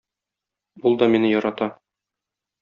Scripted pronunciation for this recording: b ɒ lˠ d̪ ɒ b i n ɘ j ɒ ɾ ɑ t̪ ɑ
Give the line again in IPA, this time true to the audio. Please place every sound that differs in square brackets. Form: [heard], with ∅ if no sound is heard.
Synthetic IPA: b [u] lˠ d̪ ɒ [m] i n ɘ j ɒ ɾ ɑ t̪ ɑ